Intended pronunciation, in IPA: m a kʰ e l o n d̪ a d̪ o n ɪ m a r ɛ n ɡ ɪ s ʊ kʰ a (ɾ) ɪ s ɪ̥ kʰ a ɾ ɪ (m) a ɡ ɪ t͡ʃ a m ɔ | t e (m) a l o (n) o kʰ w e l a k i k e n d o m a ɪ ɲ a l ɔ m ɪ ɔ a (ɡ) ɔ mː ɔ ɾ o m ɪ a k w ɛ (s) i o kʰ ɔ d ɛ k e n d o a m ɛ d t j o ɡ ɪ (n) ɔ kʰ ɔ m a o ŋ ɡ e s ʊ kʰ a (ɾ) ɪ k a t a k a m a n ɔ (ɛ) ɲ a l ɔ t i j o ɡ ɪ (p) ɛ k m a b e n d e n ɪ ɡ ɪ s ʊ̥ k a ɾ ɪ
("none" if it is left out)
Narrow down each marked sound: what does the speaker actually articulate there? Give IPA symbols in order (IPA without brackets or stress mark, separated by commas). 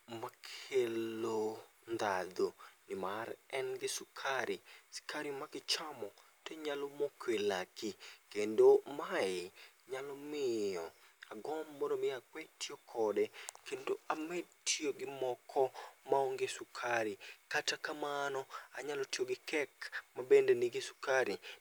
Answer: ɾ, m, ɲ, m, ɡ, t, m, ɾ, a, k